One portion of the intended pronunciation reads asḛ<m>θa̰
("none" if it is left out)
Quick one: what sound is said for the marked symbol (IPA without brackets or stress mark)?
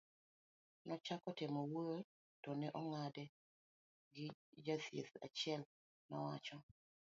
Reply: none